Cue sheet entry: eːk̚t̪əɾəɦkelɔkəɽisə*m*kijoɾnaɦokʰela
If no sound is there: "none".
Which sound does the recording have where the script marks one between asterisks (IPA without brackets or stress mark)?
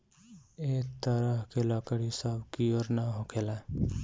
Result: b